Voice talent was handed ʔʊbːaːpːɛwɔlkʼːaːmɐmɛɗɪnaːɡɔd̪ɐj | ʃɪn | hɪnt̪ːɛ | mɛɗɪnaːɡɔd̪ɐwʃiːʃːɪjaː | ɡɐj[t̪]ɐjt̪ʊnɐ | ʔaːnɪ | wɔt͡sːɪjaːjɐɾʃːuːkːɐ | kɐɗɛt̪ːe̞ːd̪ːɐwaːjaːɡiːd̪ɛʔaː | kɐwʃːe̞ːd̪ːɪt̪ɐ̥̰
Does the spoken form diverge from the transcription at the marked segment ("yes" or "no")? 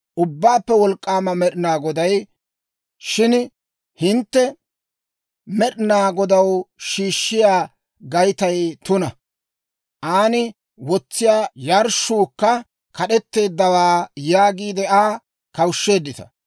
no